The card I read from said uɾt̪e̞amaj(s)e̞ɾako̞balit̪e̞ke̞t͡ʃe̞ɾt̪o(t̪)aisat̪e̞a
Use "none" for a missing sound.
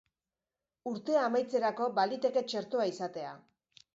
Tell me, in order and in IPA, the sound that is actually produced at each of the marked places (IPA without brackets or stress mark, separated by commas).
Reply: t͡s, none